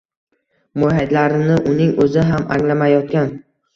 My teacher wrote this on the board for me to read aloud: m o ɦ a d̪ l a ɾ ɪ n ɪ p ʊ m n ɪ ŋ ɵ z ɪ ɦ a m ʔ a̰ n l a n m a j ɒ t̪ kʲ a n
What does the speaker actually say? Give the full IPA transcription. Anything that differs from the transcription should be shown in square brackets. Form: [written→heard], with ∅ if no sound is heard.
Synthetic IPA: m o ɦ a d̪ l a ɾ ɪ n ɪ [p→ʔ] ʊ [m→∅] n ɪ ŋ ɵ z ɪ ɦ a m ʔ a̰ [n→ŋ] l a [n→∅] m a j ɒ t̪ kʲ a n